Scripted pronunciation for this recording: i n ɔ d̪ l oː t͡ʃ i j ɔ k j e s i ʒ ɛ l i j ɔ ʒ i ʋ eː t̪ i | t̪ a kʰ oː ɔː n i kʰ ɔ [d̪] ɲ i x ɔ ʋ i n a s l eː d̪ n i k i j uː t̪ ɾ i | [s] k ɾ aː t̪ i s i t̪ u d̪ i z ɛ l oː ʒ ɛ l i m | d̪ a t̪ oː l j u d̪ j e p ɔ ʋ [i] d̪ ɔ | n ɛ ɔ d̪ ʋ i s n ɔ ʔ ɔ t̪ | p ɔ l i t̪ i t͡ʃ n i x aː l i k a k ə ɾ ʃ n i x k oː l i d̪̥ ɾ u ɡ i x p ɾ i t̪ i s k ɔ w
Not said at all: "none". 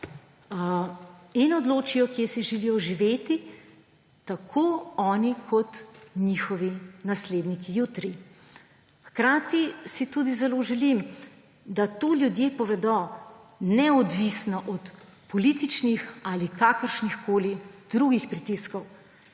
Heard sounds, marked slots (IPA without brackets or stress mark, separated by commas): t̪, x, ɛ